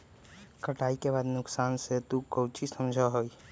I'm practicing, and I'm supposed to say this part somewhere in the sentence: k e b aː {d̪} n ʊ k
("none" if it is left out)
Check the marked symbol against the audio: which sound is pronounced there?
d̪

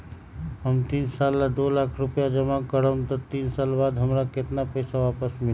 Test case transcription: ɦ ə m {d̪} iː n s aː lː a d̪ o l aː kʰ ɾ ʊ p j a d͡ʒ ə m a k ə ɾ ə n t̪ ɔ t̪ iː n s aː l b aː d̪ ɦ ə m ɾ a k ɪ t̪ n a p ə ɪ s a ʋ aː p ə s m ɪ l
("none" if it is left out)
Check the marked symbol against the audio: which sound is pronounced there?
t̪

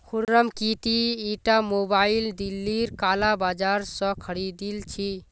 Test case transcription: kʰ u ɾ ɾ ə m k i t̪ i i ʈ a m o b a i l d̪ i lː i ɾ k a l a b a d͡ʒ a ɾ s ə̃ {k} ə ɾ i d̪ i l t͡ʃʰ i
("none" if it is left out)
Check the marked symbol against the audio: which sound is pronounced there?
kʰ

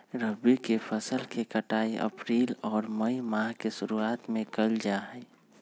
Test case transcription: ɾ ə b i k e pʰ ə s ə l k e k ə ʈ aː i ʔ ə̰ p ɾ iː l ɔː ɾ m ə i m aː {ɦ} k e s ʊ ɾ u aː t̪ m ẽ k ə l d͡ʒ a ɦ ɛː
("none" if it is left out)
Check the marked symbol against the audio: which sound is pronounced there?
ɦ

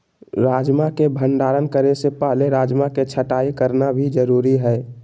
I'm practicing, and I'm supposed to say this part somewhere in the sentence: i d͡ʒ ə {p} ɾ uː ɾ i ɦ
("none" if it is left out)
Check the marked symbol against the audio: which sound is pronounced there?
none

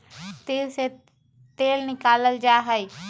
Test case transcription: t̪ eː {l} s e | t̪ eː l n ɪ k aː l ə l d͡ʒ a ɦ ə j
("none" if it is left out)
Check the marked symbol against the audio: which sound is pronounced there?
l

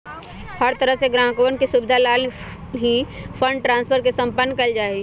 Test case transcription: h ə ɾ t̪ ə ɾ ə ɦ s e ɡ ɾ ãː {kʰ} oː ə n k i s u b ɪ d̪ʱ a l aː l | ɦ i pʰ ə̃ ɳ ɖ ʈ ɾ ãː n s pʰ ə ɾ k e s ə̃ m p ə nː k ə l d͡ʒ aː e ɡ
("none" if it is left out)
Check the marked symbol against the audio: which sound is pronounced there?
k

